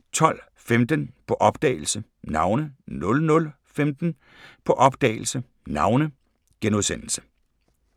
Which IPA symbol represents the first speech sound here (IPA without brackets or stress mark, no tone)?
t͡sʰ